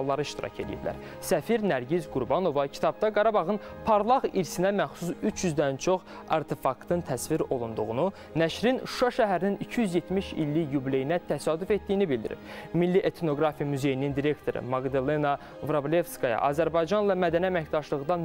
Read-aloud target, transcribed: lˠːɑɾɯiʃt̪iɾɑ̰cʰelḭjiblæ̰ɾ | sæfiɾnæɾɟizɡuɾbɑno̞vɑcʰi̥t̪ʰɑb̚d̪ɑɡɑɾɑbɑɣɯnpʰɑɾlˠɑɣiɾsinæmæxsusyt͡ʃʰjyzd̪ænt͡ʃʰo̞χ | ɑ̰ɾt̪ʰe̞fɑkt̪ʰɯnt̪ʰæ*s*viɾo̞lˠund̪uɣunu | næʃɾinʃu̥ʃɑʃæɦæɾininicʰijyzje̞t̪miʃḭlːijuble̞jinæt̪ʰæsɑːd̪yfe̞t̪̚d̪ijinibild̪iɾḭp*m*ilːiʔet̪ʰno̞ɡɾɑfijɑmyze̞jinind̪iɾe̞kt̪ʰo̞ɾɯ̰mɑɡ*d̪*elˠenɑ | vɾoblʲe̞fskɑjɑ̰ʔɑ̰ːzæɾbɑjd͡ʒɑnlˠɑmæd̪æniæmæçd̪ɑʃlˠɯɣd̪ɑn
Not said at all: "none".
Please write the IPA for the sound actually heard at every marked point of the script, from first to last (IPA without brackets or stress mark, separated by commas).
s, m, d̪